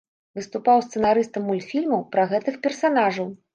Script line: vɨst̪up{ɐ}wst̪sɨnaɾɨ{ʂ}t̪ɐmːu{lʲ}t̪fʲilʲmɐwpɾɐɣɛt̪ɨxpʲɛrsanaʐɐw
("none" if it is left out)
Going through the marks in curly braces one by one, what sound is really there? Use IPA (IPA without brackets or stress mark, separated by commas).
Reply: a, s, lʲ